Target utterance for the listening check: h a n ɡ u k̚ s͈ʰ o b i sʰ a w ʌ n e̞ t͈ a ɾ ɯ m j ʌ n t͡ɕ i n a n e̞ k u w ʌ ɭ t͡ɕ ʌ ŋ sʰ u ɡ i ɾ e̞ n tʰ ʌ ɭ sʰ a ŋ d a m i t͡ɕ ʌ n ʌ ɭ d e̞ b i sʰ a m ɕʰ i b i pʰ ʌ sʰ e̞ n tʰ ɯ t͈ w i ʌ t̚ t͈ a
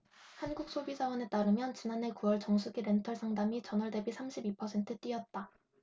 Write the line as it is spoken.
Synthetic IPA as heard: h a n ɡ u k̚ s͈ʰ o b i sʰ a w ʌ n e̞ t͈ a ɾ ɯ m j ʌ n t͡ɕ i n a n e̞ k u w ʌ ɭ t͡ɕ ʌ ŋ sʰ u ɡ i ɾ e̞ n tʰ ʌ ɭ sʰ a ŋ d a m i t͡ɕ ʌ n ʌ ɭ d e̞ b i sʰ a m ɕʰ i b i pʰ ʌ sʰ e̞ n tʰ ɯ t͈ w i ʌ t̚ t͈ a